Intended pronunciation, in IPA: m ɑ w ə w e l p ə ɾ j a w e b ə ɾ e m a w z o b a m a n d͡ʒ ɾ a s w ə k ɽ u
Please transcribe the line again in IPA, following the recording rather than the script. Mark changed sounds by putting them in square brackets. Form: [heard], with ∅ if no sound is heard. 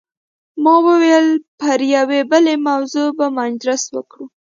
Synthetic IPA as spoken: m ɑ w ə w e l p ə ɾ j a w e b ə [l] e m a w z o b a m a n d͡ʒ ɾ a s w ə k ɽ u